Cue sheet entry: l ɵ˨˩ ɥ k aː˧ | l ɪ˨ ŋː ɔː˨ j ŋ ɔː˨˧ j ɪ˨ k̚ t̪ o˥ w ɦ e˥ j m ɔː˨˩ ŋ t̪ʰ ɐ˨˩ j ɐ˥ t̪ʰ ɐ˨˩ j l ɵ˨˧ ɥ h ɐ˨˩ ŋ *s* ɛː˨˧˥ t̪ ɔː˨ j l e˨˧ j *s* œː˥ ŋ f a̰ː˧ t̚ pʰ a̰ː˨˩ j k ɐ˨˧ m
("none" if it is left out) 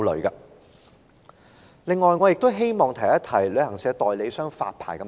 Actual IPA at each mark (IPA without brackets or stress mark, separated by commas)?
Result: s, s